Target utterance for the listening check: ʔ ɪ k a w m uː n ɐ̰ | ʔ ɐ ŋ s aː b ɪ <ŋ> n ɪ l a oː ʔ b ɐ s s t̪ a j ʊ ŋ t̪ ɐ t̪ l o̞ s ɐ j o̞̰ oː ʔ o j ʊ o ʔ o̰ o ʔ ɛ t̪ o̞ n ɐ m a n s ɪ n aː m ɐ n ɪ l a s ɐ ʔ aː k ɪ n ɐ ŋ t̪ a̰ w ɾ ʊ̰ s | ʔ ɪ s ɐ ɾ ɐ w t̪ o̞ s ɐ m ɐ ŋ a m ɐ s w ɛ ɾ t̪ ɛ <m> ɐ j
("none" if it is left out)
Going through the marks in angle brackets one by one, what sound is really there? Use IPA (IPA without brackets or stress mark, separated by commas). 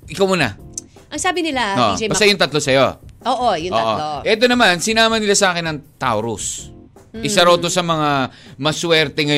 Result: none, ŋ